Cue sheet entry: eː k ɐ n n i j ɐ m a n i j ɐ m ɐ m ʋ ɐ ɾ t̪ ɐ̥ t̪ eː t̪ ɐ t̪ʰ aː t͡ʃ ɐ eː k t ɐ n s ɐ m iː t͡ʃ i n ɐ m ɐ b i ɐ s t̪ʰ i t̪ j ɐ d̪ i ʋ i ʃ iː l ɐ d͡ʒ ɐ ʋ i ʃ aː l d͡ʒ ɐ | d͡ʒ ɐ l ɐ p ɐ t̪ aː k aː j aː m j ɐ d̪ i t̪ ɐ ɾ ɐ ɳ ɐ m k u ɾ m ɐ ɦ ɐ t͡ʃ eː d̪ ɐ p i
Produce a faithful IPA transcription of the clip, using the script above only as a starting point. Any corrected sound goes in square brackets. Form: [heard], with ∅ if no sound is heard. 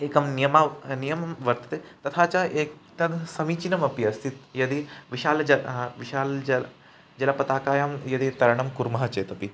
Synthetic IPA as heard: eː k ɐ [m] n i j ɐ m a n i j ɐ m ɐ m ʋ ɐ ɾ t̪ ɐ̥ t̪ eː t̪ ɐ t̪ʰ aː t͡ʃ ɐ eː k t ɐ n s ɐ m iː t͡ʃ i n ɐ m ɐ [p] i ɐ s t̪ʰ i t̪ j ɐ d̪ i ʋ i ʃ [aː] l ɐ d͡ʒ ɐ ʋ i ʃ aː l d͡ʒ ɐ | d͡ʒ ɐ l ɐ p ɐ t̪ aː k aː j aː m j ɐ d̪ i t̪ ɐ ɾ ɐ ɳ ɐ m k u ɾ m ɐ ɦ ɐ t͡ʃ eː [t̪] ɐ p i